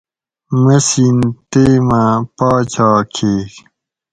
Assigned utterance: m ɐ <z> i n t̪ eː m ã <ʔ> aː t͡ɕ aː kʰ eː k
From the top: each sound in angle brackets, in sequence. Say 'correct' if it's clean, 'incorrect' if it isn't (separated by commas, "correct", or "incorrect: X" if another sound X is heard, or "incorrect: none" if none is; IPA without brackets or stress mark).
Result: incorrect: s, incorrect: p